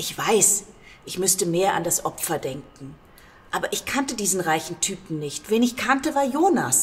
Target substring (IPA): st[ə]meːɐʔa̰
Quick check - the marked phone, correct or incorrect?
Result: correct